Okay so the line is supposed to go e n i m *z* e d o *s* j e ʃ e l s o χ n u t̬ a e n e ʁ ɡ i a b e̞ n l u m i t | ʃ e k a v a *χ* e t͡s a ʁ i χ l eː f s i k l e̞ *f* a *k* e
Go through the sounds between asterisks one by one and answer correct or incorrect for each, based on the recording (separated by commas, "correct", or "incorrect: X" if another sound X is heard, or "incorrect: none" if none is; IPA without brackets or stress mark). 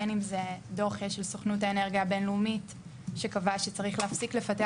correct, incorrect: χ, incorrect: ʃ, correct, incorrect: t